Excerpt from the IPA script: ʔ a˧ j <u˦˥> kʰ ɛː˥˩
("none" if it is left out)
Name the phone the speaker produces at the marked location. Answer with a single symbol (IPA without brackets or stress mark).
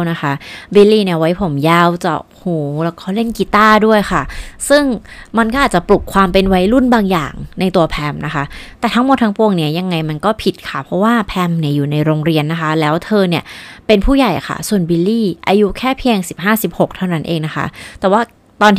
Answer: u˦˥